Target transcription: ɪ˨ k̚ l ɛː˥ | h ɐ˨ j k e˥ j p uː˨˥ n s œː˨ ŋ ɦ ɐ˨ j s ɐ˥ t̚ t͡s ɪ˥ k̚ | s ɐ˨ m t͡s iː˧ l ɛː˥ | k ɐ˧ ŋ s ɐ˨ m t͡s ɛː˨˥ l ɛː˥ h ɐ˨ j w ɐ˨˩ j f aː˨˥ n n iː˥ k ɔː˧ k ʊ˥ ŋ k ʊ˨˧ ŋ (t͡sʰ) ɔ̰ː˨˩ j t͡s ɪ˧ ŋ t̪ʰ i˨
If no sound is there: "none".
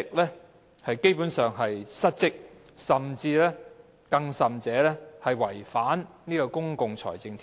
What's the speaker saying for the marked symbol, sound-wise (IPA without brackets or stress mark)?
t͡sʰ